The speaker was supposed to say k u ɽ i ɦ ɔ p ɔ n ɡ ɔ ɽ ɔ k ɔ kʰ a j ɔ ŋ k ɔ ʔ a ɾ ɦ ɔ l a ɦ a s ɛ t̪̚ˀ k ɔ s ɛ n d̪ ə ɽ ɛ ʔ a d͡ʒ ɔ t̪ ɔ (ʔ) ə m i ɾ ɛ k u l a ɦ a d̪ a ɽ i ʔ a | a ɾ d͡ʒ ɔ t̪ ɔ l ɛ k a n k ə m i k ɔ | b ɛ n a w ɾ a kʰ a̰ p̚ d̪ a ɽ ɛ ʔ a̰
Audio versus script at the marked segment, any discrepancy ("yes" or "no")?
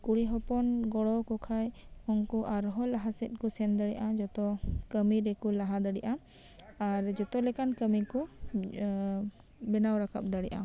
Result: yes